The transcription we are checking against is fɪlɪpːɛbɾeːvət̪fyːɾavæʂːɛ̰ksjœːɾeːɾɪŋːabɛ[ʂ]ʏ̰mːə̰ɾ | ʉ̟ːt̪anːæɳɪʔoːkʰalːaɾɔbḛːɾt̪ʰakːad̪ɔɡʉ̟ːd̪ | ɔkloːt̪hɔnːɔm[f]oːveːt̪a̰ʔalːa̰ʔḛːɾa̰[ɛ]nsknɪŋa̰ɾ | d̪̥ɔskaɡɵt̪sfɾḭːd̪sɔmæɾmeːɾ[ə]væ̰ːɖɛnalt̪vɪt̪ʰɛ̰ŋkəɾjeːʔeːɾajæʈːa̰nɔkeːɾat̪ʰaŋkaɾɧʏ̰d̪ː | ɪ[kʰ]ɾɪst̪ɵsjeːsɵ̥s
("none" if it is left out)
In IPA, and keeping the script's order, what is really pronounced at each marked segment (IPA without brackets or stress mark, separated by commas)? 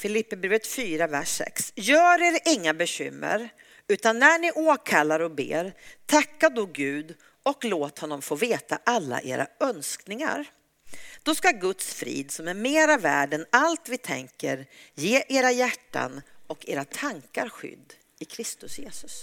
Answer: ɕ, f, œ, a, kʰ